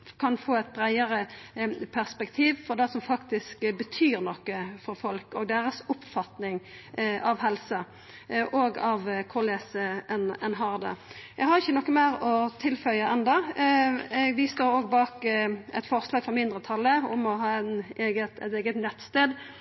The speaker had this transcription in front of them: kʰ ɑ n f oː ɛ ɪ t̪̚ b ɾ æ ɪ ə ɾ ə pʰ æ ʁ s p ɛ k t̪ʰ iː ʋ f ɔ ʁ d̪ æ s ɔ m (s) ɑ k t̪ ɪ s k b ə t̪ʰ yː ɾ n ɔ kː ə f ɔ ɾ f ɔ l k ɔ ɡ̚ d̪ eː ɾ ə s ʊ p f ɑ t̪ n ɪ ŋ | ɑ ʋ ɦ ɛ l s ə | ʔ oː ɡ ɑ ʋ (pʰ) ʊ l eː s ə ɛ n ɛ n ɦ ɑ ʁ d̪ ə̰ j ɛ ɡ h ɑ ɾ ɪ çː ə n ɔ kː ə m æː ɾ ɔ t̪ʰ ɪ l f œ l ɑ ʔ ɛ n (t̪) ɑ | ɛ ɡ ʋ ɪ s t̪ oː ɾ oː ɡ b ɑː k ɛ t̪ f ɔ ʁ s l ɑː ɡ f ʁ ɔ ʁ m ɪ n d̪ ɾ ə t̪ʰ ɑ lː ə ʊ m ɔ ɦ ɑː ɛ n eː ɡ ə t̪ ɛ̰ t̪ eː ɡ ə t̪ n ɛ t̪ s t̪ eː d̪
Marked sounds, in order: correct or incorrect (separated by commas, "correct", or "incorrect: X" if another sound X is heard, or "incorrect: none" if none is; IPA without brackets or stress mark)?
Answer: incorrect: f, incorrect: kʰ, incorrect: d̪